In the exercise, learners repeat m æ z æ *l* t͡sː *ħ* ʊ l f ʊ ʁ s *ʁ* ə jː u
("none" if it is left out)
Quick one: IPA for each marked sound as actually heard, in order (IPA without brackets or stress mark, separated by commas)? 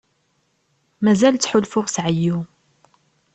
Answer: l, ħ, ʕ